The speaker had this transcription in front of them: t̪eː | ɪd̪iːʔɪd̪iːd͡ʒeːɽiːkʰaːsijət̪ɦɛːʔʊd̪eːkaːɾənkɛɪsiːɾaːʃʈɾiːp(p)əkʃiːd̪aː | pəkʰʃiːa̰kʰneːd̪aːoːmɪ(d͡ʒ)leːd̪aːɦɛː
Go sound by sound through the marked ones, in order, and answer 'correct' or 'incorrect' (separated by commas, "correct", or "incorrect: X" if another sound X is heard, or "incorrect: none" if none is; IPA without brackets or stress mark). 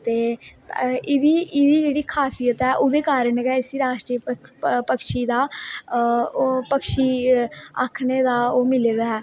correct, incorrect: none